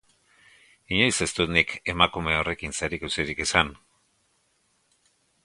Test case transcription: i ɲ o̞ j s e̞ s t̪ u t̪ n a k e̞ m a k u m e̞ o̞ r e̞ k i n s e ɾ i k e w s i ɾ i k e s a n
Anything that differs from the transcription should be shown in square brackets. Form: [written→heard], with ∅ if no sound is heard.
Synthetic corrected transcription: i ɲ o̞ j s e̞ s t̪ u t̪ n [a→i] k e̞ m a k u m e̞ o̞ r e̞ k i n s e ɾ i k e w s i ɾ i k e s a n